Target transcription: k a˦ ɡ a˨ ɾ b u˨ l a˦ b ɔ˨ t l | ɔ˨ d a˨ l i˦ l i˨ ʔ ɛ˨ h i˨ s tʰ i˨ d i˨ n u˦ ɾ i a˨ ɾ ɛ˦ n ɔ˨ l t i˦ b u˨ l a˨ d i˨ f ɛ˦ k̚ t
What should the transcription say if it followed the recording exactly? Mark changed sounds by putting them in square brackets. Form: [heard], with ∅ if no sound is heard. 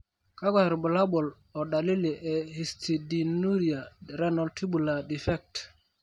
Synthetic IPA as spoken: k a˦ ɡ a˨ ɾ b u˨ l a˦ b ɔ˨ [∅] l | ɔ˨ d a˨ l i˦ l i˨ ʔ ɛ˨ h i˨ s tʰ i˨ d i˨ n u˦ ɾ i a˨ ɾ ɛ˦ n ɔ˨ l t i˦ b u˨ l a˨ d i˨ f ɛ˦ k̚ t